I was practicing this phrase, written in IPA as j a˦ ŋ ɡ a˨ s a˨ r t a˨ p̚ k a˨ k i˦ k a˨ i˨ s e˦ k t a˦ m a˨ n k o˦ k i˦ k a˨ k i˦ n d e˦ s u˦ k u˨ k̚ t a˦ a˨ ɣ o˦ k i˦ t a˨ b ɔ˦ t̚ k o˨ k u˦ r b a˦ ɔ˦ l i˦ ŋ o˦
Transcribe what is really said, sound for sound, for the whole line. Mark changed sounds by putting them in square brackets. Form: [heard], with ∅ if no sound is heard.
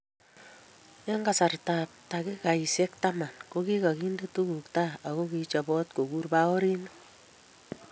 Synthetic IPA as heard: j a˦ ŋ ɡ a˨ s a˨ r t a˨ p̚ [t] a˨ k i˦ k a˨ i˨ s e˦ k t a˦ m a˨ n k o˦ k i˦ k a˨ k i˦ n d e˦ [t] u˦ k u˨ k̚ t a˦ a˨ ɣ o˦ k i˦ [t͡ʃ] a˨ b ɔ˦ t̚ k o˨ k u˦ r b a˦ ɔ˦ [ɾ] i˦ [n] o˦